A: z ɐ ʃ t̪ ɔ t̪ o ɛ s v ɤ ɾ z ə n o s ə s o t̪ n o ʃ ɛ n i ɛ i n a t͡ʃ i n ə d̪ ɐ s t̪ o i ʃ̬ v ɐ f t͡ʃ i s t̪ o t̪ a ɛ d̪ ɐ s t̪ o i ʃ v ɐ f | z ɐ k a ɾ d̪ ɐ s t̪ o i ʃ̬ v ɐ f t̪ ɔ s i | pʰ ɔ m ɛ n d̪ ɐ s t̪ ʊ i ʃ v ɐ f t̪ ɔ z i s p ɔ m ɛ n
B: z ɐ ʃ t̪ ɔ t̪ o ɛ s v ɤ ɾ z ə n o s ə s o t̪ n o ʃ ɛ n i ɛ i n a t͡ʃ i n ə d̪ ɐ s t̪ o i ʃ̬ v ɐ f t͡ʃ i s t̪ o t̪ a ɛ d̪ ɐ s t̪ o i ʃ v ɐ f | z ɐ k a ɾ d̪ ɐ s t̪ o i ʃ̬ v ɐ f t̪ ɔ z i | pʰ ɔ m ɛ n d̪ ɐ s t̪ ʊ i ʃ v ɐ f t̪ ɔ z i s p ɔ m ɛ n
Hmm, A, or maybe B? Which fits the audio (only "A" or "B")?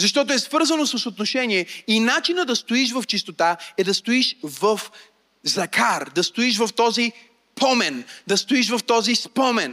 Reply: B